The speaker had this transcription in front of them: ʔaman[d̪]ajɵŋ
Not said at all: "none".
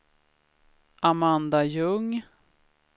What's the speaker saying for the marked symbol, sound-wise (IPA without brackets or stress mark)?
d̪